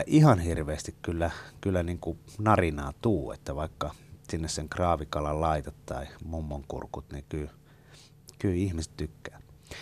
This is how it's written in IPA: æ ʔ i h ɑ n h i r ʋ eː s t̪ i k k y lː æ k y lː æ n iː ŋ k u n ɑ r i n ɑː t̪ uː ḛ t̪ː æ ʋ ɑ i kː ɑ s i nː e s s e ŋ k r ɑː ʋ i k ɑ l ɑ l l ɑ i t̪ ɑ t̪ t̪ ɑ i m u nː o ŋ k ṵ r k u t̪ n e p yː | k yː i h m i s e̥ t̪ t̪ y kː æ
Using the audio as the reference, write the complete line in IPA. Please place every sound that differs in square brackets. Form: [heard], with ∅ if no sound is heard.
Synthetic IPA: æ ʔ i h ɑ n h i r ʋ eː s t̪ i k k y lː æ k y lː æ n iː ŋ k u n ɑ r i n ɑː t̪ uː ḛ t̪ː æ ʋ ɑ i kː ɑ s i nː e s s e ŋ k r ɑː ʋ i k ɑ l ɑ l l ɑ i t̪ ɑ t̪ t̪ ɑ i m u [mː] o ŋ k ṵ r k u t̪ n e [k] yː | k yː i h m i s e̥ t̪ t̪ y kː [æː]